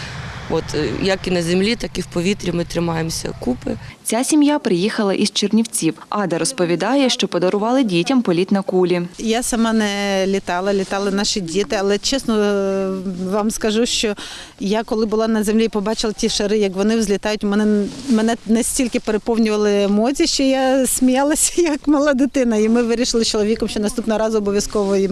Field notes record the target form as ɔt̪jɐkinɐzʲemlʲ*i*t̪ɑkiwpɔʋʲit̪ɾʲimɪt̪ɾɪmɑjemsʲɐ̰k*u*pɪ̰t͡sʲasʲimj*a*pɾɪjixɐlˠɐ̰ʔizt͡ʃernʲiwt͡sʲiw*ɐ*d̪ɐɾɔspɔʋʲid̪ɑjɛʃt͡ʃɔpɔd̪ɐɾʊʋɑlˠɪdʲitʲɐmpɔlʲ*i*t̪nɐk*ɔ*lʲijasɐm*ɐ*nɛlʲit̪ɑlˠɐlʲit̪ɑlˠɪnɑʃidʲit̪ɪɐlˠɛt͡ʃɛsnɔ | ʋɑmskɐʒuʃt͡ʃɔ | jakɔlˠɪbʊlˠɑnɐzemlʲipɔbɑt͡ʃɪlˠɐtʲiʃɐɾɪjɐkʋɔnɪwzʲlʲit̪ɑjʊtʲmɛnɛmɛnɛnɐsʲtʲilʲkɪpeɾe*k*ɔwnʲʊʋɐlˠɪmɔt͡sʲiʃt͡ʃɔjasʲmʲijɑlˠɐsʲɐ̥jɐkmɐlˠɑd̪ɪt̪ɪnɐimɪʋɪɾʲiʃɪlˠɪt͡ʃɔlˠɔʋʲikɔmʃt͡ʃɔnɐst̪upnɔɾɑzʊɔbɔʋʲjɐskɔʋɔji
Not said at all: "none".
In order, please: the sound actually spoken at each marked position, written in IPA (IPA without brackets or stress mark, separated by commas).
i, u, a, ɑ, i, u, ɑ, p